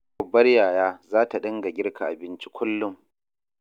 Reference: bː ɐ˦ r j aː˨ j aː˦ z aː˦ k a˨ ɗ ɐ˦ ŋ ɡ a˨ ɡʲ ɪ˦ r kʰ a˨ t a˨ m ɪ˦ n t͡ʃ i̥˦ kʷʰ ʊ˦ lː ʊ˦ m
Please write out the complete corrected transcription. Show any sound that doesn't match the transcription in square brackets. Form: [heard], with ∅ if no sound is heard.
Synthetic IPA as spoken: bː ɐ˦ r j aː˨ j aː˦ z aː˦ [t] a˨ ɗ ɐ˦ ŋ ɡ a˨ ɡʲ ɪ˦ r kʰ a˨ [ʔ] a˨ [b] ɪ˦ n t͡ʃ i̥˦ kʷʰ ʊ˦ lː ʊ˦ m